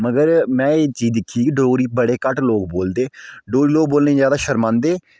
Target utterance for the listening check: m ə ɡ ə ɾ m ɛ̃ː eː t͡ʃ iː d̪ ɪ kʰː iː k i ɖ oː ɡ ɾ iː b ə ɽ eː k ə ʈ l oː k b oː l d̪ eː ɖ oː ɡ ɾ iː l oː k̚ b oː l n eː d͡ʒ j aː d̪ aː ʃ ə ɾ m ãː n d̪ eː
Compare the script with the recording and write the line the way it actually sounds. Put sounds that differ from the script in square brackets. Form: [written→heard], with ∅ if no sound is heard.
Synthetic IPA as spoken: m ə ɡ ə ɾ m ɛ̃ː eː t͡ʃ iː d̪ ɪ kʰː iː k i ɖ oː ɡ ɾ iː b ə ɽ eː k ə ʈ l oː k b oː l d̪ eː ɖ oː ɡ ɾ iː l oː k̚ b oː l n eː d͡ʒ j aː d̪ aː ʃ ə ɾ m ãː n d̪ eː

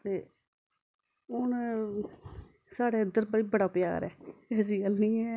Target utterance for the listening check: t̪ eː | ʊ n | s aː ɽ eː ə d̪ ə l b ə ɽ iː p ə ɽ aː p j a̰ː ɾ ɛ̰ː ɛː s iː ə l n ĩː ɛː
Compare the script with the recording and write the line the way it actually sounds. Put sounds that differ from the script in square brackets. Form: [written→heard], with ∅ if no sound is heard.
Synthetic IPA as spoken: t̪ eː | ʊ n | s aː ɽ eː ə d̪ ə [l→ɾ] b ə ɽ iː [p→b] ə ɽ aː p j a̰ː ɾ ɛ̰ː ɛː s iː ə l n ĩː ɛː

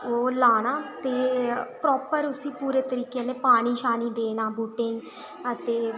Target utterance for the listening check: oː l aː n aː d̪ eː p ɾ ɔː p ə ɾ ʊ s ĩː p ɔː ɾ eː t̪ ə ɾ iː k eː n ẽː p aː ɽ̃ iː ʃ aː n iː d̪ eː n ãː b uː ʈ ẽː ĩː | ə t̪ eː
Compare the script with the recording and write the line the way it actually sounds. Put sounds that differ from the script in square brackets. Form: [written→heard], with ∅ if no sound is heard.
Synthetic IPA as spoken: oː l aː n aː [d̪→t̪] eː p ɾ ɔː p ə ɾ ʊ s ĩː p [ɔː→uː] ɾ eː t̪ ə ɾ iː k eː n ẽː p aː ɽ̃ iː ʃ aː n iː d̪ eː n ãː b uː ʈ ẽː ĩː | ə t̪ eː

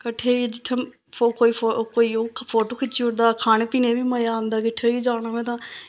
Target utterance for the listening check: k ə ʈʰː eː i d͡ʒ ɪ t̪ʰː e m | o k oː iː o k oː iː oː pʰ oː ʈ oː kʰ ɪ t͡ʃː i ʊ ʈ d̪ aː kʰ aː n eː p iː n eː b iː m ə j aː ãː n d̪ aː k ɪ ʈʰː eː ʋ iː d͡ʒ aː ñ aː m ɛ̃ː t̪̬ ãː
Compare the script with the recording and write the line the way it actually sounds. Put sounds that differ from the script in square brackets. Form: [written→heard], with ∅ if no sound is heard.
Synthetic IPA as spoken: k ə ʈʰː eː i d͡ʒ ɪ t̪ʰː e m | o k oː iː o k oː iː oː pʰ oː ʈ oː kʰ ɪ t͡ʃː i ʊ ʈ d̪ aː kʰ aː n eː p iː n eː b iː m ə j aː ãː n d̪ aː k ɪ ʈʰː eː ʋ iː d͡ʒ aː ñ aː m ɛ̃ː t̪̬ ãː

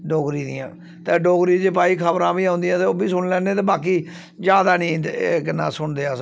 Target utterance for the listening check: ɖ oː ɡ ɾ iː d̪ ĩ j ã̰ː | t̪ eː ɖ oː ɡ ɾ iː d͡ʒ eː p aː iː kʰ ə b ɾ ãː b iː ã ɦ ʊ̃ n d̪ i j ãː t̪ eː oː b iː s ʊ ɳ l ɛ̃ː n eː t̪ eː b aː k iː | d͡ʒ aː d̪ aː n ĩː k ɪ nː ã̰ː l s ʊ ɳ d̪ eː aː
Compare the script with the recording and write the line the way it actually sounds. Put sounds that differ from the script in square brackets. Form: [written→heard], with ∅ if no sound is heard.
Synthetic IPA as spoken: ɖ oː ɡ ɾ iː d̪ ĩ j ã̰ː | t̪ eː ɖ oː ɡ ɾ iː d͡ʒ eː p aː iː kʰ ə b ɾ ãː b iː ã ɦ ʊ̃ n d̪ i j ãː t̪ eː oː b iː s ʊ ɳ l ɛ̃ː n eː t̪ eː b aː k iː | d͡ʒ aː d̪ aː n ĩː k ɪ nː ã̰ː [l→∅] s ʊ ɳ d̪ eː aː

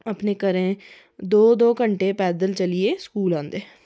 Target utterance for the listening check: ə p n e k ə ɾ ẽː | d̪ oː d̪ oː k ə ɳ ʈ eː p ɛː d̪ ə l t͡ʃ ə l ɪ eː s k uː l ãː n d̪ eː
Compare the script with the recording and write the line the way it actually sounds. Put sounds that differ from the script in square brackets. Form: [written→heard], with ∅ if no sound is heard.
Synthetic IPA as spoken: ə p n e k ə ɾ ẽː | d̪ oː d̪ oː k ə ɳ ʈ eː p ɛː d̪ ə l t͡ʃ ə l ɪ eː s k uː l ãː n d̪ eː

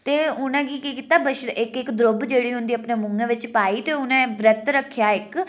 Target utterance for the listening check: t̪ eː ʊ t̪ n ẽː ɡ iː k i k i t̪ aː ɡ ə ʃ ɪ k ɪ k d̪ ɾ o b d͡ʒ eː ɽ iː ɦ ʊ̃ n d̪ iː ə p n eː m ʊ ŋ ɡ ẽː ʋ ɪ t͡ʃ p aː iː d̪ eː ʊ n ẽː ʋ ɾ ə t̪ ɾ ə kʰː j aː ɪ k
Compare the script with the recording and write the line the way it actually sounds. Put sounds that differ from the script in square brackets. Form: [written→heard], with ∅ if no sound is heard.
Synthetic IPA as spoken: t̪ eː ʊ [t̪→∅] n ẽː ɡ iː k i k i t̪ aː [ɡ→b] ə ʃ ɪ k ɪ k d̪ ɾ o b d͡ʒ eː ɽ iː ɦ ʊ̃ n d̪ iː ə p n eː m ʊ ŋ ɡ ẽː ʋ ɪ t͡ʃ p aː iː [d̪→t̪] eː ʊ n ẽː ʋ ɾ ə t̪ ɾ ə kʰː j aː ɪ k

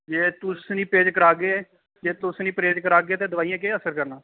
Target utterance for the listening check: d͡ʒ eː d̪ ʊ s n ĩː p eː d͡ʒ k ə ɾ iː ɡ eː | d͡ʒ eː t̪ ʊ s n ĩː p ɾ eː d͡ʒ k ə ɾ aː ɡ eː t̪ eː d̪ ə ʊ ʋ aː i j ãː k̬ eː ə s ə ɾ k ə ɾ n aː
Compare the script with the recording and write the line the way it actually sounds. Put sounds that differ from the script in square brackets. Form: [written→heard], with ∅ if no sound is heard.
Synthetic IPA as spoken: d͡ʒ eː [d̪→t̪] ʊ s n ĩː p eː d͡ʒ k ə ɾ [iː→aː] ɡ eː | d͡ʒ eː t̪ ʊ s n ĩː p ɾ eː d͡ʒ k ə ɾ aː ɡ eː t̪ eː d̪ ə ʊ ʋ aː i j ãː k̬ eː ə s ə ɾ k ə ɾ n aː

